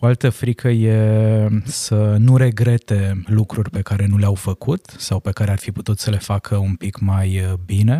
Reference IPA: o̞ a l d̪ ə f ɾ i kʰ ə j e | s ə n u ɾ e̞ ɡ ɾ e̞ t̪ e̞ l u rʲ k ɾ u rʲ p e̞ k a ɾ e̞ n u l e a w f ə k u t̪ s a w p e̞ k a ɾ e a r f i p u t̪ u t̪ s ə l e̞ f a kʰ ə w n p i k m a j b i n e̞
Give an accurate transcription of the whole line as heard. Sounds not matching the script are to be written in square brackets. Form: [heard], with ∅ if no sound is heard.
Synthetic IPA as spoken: o̞ a l [t̪] ə f ɾ i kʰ ə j e | s ə n u ɾ e̞ ɡ ɾ e̞ t̪ e̞ l u [∅] k ɾ u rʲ p e̞ k a ɾ e̞ n u l e a w f ə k u t̪ s a w p e̞ k a ɾ e a r f i p u t̪ u t̪ s ə l e̞ f a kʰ ə [u] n p i k m a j b i n e̞